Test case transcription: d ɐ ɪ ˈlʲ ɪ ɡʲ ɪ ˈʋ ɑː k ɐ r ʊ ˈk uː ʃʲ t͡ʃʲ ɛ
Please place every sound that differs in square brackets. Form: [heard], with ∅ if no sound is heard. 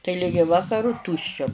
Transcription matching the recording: [t] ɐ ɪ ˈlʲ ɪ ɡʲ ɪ ˈʋ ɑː k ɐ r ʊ [ˈt] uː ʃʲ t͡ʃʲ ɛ